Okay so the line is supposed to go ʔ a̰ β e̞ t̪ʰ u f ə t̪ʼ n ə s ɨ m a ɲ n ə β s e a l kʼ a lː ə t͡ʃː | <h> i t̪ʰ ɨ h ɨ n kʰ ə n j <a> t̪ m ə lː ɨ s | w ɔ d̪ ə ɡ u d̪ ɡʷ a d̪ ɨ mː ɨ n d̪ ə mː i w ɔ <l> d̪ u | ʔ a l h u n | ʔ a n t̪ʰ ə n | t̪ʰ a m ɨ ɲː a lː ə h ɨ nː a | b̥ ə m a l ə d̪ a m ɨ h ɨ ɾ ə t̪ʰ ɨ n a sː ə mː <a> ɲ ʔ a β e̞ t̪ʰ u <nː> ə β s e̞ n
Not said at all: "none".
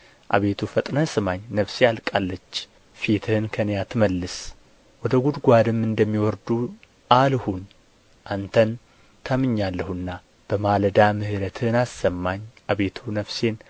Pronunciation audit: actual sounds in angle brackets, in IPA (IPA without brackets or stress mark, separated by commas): f, a, ɾ, a, n